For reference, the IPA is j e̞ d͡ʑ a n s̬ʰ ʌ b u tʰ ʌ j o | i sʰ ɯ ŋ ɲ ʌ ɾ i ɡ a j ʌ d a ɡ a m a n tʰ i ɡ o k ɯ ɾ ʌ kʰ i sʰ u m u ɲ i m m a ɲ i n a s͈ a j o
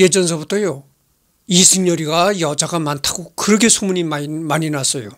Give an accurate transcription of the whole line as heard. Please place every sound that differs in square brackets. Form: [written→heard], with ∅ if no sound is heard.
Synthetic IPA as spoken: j e̞ d͡ʑ [a→ʌ] n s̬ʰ ʌ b u tʰ ʌ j o | i sʰ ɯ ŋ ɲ ʌ ɾ i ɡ a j ʌ [d→d͡ʑ] a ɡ a m a n tʰ [i→a] ɡ o k ɯ ɾ ʌ kʰ [i→e] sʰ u m u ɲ i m m a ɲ i n a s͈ [a→ʌ] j o